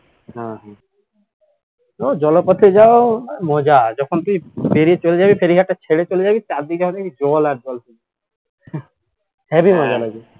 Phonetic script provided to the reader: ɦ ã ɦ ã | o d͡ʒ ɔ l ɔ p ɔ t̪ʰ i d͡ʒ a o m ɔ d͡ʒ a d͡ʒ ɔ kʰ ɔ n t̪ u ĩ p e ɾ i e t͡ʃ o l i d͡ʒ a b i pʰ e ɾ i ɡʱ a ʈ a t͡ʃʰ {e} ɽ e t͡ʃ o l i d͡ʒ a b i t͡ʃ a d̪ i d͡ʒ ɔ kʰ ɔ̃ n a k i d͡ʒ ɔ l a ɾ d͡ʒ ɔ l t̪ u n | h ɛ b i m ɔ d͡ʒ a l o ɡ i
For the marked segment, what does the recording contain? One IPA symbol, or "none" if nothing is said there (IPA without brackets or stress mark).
e